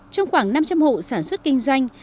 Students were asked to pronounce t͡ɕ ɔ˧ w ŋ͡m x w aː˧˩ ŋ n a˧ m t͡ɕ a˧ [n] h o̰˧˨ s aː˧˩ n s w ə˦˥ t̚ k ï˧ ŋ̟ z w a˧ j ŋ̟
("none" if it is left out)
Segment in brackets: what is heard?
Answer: m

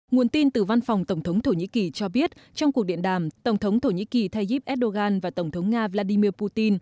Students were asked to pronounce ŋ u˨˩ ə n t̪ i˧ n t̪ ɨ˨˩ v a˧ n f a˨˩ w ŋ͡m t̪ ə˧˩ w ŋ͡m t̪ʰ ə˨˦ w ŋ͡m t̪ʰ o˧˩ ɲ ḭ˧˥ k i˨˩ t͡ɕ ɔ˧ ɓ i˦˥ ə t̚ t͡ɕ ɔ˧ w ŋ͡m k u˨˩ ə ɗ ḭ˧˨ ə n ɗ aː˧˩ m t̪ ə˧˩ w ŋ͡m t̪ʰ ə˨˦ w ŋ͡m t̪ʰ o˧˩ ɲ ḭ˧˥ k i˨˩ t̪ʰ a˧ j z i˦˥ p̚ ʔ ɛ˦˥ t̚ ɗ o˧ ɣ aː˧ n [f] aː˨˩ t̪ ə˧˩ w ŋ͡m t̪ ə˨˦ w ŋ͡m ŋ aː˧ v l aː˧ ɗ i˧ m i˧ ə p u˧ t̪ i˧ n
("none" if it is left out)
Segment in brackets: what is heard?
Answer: v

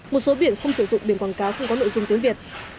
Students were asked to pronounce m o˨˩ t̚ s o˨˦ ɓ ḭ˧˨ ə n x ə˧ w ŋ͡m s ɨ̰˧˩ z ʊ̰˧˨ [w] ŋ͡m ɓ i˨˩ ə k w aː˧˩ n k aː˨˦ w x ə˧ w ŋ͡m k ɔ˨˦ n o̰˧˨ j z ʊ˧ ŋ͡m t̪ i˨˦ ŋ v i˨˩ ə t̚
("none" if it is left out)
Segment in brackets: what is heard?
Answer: none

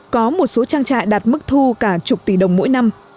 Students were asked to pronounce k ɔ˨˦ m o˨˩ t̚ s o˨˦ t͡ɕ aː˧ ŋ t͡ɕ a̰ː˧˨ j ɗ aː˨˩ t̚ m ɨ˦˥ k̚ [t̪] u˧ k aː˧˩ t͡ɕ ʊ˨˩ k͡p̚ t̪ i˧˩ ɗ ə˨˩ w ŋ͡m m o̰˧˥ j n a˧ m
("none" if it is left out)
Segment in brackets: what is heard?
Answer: t̪ʰ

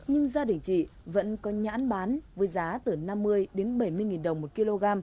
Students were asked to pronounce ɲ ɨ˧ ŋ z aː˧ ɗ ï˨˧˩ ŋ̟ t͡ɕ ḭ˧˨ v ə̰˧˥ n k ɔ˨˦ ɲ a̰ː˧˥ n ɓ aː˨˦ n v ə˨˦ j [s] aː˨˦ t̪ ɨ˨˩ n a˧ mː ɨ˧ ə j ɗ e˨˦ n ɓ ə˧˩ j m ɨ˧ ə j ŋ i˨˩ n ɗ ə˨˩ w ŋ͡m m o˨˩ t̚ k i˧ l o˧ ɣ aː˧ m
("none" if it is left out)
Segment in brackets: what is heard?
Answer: z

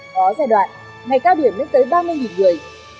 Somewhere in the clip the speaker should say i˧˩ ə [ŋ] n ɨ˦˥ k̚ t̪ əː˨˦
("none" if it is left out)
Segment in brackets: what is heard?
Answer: m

